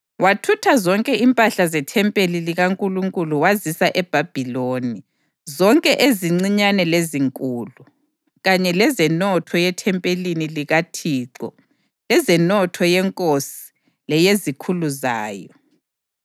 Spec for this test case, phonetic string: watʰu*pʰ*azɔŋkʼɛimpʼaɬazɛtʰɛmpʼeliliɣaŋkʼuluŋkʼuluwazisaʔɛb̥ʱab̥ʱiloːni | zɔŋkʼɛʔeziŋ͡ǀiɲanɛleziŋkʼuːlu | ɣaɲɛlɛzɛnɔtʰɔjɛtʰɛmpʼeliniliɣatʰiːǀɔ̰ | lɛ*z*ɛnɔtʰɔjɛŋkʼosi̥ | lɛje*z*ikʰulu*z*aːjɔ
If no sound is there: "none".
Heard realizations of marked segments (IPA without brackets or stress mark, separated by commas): tʰ, z, z, z